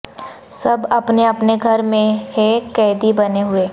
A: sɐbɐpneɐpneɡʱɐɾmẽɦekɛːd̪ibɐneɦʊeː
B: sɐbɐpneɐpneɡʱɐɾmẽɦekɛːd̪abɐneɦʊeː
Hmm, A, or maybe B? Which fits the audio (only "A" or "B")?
A